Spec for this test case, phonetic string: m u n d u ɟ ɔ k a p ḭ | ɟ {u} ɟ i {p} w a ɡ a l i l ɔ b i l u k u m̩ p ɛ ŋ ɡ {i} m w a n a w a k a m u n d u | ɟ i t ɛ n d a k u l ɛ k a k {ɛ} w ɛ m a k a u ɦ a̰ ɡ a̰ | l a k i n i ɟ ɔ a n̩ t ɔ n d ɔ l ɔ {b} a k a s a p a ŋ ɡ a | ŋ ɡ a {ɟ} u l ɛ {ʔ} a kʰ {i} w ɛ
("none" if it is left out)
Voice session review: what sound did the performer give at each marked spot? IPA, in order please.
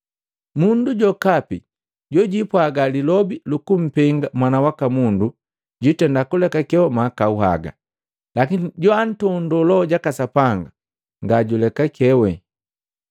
ɔ, p, a, ɛ, ɟ, ɟ, k, ɛ

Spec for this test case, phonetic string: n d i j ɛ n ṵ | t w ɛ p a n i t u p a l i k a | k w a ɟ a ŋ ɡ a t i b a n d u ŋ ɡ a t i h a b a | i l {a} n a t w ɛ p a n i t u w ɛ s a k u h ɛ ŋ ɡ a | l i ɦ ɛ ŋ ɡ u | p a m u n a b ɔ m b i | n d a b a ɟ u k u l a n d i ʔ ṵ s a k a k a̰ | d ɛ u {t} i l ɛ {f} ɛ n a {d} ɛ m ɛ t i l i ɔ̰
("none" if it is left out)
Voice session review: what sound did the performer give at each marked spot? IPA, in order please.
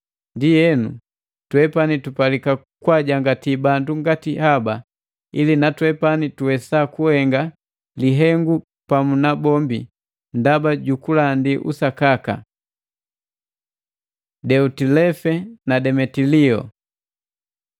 i, t, f, d

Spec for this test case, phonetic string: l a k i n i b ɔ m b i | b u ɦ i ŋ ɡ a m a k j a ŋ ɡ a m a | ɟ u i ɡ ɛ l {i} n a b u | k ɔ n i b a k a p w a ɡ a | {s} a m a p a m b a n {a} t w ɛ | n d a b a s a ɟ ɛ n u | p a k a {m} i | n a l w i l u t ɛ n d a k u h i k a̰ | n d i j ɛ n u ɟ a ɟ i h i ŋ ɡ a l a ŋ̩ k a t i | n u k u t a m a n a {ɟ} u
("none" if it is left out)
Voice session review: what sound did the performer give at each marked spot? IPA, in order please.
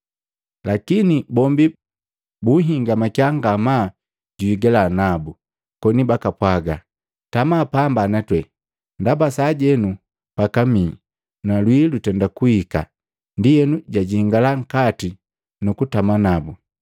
a, t, a, m, b

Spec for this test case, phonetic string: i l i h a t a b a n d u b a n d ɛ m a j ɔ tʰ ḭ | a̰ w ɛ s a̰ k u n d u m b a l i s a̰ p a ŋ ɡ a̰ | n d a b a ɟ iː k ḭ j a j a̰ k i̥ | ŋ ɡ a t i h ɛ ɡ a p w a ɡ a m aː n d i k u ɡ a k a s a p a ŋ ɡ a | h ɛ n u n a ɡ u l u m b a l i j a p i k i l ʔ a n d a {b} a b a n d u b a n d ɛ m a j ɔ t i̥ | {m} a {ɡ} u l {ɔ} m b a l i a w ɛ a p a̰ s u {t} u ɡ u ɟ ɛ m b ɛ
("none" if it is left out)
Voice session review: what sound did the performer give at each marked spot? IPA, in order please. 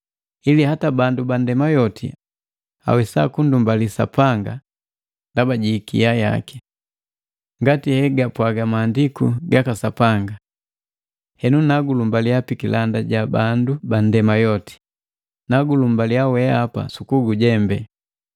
ɟ, n, ɡ, u, k

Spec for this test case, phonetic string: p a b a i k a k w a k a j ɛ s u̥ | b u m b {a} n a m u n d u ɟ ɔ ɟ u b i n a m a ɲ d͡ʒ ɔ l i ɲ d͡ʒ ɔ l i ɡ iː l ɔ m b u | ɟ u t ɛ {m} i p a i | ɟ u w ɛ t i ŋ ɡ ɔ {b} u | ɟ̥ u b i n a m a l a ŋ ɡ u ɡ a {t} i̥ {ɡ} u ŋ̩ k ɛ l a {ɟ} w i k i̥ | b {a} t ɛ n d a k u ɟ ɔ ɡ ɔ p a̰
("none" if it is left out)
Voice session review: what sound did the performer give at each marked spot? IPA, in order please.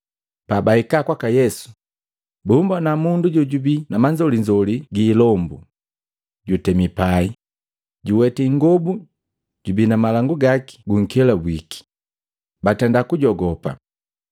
a, m, b, k, ɡ, b, a

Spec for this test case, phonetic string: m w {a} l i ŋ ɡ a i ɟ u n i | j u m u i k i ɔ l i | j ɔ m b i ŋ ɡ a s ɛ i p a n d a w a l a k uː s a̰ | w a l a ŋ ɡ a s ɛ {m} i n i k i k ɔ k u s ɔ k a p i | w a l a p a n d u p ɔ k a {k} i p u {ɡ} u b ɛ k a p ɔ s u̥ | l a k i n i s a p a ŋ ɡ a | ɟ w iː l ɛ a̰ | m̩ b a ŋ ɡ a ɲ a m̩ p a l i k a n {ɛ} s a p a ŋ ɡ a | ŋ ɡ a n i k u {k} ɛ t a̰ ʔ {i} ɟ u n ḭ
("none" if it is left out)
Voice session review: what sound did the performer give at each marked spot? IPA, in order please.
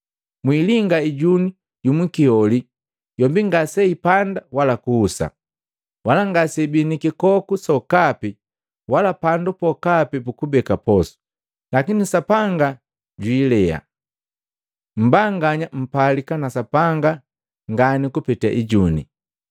i, b, p, k, a, p, i

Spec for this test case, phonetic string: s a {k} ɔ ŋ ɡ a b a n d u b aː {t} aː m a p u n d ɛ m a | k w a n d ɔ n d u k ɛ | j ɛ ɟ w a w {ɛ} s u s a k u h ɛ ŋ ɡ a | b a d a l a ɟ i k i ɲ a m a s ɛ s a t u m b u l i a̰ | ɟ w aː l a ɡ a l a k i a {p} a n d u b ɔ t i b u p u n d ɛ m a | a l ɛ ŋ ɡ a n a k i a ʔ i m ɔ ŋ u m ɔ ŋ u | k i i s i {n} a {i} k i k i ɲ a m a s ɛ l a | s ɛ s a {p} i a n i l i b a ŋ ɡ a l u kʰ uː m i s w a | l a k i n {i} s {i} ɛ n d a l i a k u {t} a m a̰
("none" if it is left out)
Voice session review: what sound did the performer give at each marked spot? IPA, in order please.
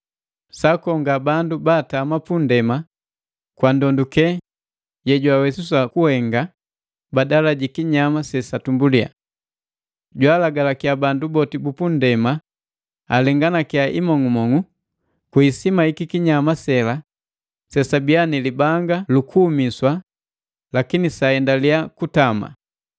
k, t, ɛ, b, m, i, b, i, a, t

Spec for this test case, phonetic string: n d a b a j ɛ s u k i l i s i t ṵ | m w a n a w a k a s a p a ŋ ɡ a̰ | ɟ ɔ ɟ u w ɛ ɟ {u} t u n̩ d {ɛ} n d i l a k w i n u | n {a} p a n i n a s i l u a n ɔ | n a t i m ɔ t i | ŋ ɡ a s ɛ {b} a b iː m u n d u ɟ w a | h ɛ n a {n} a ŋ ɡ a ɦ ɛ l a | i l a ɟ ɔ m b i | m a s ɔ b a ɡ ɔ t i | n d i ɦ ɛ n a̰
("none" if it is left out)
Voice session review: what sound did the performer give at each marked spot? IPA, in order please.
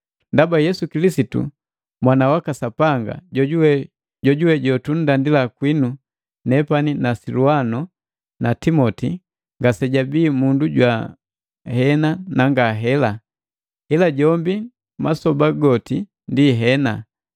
ɔ, a, ɛ, ɟ, n

